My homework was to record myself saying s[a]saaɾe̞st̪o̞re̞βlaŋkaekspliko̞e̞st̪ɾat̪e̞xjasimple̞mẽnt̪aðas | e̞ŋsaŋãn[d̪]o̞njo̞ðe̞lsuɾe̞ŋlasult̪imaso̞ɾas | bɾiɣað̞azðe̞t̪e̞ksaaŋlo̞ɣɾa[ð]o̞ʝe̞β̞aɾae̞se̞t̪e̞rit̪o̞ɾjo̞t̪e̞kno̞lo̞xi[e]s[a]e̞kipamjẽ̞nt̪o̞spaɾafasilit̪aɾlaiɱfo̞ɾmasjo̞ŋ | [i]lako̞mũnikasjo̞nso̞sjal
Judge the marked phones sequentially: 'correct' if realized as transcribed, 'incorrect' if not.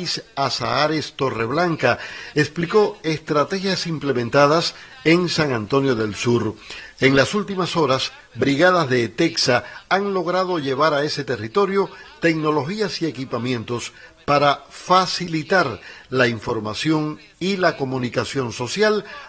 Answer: correct, incorrect: t̪, correct, incorrect: a, incorrect: i, correct

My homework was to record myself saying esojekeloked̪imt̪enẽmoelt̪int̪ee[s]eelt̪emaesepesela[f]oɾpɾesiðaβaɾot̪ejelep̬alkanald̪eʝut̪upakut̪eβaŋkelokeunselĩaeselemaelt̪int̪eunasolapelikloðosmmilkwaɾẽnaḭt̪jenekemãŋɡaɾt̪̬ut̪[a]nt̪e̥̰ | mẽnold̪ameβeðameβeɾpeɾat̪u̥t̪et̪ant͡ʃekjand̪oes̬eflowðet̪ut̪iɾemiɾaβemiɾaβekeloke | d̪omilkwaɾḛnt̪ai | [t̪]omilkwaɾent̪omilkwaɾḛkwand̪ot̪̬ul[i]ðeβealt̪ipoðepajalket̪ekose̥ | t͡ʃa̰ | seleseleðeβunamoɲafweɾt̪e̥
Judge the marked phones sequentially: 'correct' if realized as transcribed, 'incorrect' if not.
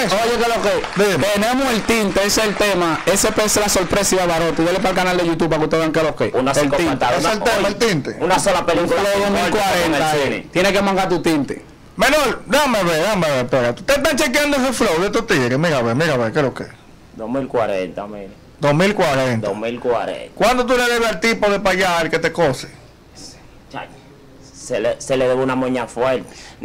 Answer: correct, incorrect: s, incorrect: i, incorrect: d̪, incorrect: e

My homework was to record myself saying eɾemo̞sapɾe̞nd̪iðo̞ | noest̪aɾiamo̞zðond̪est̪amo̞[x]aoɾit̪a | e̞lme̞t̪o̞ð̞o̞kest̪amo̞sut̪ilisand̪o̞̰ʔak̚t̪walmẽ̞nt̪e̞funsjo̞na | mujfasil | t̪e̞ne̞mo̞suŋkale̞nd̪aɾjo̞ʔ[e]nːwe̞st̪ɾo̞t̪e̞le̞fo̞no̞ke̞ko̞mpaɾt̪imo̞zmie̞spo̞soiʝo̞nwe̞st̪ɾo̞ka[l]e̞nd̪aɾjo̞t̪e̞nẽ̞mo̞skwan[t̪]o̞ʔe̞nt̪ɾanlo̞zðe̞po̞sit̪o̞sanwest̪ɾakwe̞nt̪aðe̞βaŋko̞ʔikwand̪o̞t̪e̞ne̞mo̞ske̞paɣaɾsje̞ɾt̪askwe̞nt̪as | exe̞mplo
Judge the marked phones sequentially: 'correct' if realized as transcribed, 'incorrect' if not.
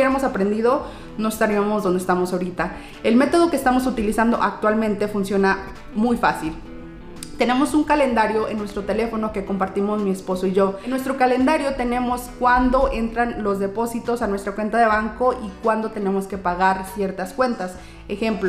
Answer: incorrect: s, correct, correct, incorrect: d̪

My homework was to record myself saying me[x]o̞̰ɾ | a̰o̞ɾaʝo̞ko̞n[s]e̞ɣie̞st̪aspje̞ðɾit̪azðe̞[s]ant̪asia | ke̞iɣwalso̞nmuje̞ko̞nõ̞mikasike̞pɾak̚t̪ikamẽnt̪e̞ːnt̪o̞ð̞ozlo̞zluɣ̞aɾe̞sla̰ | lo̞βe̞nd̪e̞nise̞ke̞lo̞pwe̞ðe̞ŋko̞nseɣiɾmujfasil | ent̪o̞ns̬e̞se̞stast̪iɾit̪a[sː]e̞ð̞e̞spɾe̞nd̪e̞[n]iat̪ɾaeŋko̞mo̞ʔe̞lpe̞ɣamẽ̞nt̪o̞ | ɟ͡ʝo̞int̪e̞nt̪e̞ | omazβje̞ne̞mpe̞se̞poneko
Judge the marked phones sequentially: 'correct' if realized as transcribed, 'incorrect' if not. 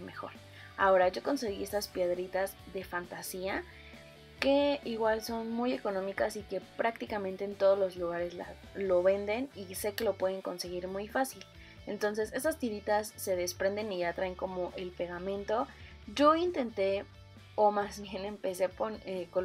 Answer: correct, correct, incorrect: f, correct, correct

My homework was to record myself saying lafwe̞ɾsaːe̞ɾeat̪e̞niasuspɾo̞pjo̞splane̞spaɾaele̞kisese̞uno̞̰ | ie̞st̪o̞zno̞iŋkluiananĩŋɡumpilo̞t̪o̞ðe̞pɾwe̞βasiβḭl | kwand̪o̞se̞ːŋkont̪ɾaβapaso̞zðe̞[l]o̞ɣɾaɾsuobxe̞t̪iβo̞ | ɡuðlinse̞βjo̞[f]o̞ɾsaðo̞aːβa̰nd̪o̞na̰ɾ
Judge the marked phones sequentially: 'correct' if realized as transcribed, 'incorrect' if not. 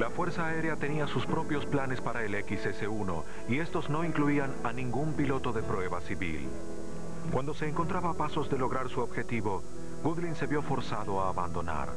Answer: correct, correct

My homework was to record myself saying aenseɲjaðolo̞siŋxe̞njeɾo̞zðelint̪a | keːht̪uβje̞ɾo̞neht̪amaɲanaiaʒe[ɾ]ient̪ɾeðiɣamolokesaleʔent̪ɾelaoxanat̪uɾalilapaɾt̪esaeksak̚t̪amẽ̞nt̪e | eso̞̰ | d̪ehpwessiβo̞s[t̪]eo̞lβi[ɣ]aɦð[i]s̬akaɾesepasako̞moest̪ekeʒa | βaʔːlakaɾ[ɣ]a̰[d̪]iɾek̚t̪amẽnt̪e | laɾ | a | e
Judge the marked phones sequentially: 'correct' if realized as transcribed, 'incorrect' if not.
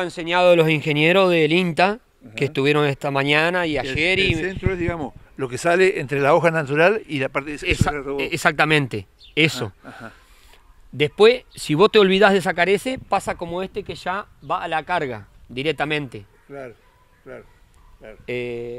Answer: correct, correct, incorrect: ð, incorrect: e, correct, correct

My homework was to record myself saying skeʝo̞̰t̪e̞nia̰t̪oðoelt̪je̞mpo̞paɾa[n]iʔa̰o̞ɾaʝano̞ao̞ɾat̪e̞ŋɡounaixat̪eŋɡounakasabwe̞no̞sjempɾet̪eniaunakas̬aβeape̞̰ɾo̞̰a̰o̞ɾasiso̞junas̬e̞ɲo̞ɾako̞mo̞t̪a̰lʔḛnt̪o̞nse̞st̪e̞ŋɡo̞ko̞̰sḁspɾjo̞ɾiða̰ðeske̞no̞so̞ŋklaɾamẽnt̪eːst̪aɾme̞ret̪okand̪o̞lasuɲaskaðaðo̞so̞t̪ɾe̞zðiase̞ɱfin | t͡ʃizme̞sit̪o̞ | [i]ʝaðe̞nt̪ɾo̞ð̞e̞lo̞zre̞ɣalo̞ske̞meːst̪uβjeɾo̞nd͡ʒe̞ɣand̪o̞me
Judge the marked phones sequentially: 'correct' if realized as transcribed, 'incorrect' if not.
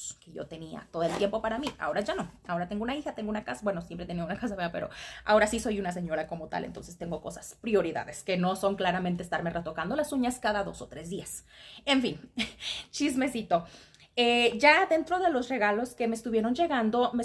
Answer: incorrect: m, incorrect: e

